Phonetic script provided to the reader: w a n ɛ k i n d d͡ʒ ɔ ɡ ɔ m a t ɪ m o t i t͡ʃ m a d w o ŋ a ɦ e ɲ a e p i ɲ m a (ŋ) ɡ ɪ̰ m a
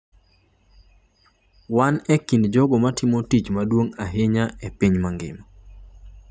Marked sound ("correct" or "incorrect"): correct